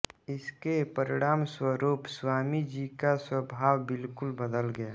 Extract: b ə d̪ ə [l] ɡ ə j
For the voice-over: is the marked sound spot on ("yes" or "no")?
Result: yes